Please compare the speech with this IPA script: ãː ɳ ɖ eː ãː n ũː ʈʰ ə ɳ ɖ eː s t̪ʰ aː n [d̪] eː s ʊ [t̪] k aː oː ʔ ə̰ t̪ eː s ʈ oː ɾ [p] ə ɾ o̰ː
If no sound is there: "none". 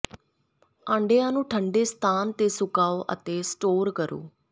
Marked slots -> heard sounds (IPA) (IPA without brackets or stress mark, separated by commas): t̪, none, k